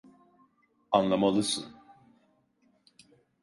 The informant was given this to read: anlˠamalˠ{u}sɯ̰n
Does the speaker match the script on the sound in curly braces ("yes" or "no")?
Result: no